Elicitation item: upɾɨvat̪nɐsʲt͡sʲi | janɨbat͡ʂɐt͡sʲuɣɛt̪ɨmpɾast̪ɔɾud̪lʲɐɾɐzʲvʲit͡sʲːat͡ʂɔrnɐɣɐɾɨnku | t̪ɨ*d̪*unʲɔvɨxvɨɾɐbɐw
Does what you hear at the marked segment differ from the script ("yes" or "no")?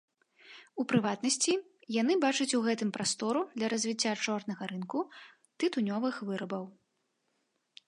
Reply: yes